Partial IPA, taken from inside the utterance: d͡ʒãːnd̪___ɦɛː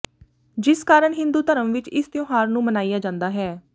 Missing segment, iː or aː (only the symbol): aː